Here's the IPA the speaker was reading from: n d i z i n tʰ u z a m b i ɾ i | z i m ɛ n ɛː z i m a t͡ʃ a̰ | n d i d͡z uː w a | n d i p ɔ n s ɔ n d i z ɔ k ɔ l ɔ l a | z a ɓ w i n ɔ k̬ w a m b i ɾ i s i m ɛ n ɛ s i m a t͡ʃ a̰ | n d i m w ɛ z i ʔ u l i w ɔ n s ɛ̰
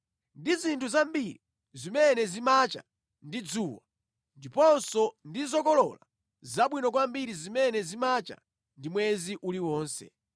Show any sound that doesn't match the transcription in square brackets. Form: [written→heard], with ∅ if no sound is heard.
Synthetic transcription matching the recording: n d i z i n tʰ u z a m b i ɾ i | z i m ɛ n [ɛː→ɛ] z i m a t͡ʃ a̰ | n d i d͡z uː w a | n d i p ɔ n s ɔ n d i z ɔ k ɔ l ɔ l a | z a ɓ w i n ɔ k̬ w a m b i ɾ i [s→z] i m ɛ n ɛ [s→z] i m a t͡ʃ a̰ | n d i m w ɛ z i ʔ u l i w [ɔ→ɔː] n s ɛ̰